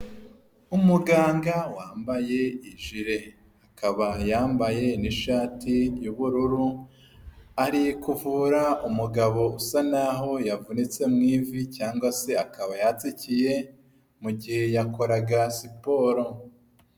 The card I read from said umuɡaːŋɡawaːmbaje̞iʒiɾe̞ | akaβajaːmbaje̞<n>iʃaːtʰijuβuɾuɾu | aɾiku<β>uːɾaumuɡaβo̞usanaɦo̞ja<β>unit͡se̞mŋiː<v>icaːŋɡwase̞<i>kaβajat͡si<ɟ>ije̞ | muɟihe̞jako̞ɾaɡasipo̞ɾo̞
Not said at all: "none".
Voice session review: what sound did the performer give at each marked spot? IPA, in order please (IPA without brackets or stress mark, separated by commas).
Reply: n, v, v, v, a, c